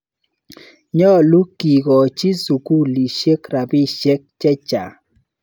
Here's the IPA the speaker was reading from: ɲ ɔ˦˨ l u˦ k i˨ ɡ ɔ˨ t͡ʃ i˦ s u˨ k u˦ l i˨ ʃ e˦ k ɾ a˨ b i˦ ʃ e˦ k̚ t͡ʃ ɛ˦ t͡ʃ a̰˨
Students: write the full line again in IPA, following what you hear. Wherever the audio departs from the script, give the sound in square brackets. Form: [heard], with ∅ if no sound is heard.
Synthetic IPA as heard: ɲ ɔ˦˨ l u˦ k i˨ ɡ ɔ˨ t͡ʃ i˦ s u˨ k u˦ l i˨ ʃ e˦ k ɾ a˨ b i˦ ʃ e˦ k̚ t͡ʃ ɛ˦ t͡ʃ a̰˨

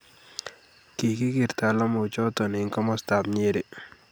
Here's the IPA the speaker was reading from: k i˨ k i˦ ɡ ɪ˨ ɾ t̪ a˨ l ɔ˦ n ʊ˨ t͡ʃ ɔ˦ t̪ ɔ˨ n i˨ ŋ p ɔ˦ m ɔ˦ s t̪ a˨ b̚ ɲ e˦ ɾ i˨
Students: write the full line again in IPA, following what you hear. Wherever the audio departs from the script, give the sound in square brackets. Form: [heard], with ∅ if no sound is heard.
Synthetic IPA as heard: k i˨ k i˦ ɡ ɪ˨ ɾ t̪ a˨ l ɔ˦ [m] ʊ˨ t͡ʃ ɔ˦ t̪ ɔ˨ n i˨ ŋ [k] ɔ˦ m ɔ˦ s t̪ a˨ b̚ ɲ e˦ ɾ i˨

